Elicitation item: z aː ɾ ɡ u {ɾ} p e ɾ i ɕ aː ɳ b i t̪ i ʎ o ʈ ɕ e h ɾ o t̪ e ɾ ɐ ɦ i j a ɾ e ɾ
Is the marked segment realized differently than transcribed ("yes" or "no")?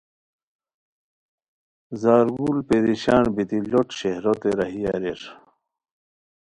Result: yes